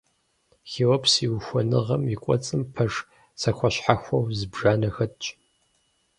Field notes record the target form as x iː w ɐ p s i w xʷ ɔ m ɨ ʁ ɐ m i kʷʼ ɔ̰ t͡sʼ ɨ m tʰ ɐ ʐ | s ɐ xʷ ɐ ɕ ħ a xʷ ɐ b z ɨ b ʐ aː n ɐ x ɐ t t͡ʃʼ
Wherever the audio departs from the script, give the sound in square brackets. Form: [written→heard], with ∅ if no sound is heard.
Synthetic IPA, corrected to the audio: x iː w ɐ p s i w xʷ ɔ [m→n] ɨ ʁ ɐ m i kʷʼ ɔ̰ t͡sʼ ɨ m [tʰ→pʰ] ɐ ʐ | s ɐ xʷ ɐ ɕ ħ a xʷ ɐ [b→w] z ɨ b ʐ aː n ɐ x ɐ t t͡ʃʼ